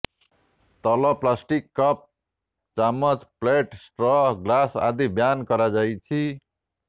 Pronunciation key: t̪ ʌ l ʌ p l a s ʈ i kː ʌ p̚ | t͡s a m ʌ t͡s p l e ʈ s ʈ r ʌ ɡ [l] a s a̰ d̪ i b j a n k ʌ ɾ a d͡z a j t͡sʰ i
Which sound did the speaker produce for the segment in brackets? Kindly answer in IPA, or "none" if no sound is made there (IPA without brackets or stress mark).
l